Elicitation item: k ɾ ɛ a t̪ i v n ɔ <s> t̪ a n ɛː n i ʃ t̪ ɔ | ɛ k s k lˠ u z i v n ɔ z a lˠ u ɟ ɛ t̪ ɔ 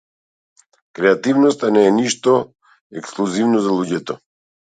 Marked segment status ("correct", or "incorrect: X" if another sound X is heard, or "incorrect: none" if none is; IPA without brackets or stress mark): correct